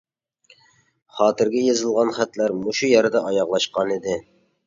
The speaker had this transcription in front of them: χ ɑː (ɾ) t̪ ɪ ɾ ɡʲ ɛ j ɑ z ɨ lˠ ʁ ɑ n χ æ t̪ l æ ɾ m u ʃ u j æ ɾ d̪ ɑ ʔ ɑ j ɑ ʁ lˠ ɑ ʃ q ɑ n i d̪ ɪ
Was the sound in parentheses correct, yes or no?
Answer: no